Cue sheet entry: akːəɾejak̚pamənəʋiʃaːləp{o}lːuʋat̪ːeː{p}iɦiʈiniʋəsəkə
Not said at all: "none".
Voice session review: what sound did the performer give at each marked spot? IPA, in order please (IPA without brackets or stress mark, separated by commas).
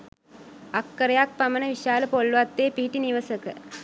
o, p